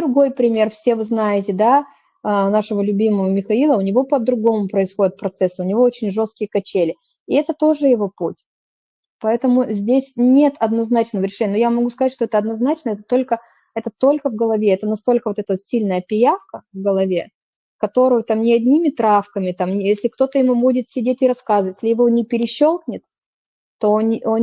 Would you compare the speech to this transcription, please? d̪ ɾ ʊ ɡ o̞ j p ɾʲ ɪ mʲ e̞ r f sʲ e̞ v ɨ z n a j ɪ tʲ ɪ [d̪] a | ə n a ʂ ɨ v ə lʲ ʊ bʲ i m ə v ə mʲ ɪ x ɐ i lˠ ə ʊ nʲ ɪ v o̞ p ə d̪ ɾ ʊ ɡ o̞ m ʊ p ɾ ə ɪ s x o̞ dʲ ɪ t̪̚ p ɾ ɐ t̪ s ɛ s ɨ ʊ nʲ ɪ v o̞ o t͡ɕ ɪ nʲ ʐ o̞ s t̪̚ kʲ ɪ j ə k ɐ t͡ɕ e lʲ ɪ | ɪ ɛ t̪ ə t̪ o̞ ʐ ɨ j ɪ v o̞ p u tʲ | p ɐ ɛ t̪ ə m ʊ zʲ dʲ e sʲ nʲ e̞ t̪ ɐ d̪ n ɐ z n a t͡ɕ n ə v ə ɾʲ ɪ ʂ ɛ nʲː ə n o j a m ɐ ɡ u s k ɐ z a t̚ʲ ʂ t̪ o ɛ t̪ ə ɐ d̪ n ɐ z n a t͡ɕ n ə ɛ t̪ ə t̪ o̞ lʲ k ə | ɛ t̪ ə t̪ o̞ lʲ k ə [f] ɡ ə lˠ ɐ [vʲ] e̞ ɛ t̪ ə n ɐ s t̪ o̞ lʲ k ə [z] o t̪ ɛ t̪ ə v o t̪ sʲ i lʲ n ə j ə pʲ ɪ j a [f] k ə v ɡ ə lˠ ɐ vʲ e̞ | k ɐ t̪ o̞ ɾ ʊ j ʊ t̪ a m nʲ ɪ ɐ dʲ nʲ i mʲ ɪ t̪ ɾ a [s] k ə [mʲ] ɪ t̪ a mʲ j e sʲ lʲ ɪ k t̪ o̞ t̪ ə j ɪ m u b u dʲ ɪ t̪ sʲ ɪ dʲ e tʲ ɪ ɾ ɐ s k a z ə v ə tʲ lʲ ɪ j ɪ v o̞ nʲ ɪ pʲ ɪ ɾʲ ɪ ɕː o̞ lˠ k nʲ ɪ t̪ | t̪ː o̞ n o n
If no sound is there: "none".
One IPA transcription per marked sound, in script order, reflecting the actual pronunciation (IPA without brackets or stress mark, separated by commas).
d̪, v, vʲ, v, f, f, mʲ